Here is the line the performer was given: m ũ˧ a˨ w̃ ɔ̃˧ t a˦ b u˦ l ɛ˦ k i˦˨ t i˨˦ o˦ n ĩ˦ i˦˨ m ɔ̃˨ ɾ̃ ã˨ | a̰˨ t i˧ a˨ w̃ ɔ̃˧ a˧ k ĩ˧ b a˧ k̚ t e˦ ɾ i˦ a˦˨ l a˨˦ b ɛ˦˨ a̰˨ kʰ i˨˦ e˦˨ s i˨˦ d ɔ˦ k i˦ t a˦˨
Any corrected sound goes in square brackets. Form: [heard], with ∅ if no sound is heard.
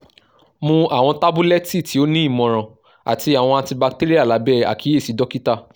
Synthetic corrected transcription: m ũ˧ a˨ w̃ ɔ̃˧ t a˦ b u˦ l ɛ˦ [t] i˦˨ t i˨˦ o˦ n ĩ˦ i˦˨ m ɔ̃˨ ɾ̃ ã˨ | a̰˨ t i˧ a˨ w̃ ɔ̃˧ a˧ [t] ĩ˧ b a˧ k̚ t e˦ ɾ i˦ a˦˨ l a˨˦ b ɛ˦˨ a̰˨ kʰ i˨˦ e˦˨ s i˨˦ d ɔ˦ k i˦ t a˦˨